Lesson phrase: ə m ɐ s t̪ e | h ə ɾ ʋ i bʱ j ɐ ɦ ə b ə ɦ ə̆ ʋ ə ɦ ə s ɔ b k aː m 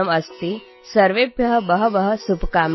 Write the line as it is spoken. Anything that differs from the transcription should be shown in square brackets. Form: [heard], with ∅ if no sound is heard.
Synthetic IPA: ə m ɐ s t̪ [i] | [s] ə ɾ ʋ [e] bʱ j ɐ ɦ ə b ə ɦ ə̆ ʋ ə ɦ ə s [u] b k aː m